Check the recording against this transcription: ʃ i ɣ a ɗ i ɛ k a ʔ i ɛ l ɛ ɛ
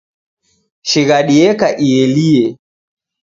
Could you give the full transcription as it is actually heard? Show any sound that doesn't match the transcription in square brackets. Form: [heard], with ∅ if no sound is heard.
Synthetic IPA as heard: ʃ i ɣ a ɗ i ɛ k a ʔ i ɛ l [i] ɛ